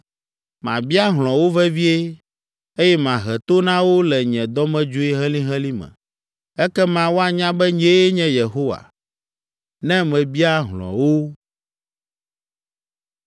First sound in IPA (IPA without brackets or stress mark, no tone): m